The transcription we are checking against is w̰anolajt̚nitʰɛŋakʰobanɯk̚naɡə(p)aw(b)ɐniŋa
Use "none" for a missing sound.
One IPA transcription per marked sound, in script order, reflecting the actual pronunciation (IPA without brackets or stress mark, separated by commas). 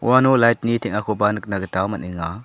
t, m